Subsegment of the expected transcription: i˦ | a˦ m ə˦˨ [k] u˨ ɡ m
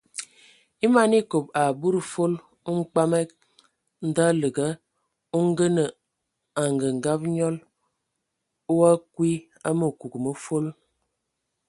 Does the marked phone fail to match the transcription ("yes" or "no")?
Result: no